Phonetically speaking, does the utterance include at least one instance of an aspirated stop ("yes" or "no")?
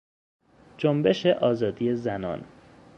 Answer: no